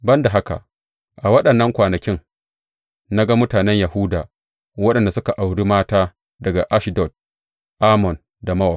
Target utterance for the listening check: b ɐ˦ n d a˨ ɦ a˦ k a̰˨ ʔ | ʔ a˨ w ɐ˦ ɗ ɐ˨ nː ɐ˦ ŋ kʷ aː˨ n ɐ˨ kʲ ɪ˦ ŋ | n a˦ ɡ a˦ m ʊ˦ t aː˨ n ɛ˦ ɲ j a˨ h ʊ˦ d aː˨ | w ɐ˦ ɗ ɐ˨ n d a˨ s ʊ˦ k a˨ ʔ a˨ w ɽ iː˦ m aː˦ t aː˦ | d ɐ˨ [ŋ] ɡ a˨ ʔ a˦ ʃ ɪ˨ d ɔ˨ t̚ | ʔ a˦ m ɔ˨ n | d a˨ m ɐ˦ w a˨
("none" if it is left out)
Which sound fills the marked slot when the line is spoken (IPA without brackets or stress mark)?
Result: none